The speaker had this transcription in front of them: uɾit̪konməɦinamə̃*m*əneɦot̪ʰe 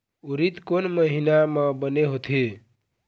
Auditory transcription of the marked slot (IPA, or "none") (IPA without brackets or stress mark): b